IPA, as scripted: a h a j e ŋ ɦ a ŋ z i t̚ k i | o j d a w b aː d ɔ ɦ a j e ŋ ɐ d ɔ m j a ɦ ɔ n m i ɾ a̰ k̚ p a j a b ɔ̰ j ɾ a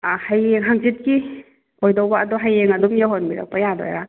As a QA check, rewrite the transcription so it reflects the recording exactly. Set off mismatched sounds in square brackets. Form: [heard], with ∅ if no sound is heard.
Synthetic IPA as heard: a h a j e ŋ ɦ a ŋ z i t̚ k i | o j d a w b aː d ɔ ɦ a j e ŋ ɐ d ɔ m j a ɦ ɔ n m i ɾ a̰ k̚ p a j a [d] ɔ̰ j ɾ a